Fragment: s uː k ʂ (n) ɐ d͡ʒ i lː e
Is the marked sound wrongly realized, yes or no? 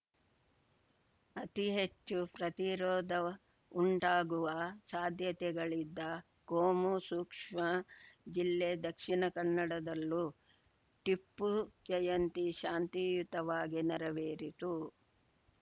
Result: yes